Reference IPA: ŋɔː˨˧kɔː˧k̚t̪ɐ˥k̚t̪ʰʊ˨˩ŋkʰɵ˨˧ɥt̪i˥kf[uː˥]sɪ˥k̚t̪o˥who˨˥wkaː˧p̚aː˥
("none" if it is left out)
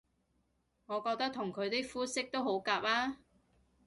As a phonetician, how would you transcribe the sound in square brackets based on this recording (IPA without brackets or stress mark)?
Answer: uː˥